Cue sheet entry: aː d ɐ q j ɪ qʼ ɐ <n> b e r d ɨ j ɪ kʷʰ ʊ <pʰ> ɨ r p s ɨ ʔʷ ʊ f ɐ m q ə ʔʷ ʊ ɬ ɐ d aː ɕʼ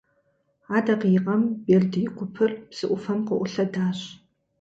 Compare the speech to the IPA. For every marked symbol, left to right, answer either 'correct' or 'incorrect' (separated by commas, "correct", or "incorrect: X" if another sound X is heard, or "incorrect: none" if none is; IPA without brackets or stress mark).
incorrect: m, correct